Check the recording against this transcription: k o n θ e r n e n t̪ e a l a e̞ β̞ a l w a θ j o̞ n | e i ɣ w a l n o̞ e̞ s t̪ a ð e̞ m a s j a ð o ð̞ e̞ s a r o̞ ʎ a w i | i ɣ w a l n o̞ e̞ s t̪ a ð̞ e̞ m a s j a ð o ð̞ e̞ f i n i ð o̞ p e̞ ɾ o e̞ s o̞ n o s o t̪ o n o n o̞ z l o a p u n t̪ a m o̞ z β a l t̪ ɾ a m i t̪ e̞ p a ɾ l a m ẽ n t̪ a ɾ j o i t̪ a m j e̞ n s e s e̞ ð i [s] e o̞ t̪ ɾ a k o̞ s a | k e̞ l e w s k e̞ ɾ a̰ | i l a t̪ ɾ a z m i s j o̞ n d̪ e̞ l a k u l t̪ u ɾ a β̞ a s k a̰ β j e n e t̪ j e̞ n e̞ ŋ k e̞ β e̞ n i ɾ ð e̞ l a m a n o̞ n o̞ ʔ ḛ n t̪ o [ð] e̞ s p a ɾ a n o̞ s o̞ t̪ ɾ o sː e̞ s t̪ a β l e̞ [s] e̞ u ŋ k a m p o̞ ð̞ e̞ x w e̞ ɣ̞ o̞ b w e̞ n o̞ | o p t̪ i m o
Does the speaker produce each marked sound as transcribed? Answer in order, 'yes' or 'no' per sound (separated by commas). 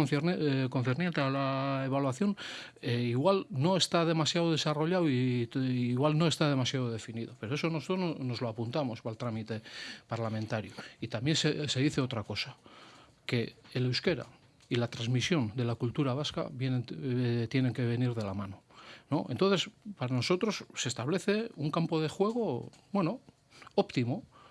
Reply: no, no, no